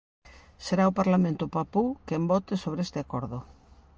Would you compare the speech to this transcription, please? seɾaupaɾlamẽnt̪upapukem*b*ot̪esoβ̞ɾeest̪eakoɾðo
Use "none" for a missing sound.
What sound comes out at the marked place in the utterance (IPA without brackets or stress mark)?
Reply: b